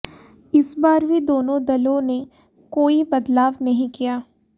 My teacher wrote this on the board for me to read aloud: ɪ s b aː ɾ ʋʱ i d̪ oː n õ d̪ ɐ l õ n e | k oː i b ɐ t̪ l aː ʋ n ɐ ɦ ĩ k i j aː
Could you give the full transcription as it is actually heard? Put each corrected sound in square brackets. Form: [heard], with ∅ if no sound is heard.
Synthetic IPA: ɪ s b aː ɾ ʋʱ i d̪ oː n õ d̪ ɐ l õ n e | k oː i b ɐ [d̪] l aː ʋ n ɐ ɦ ĩ k i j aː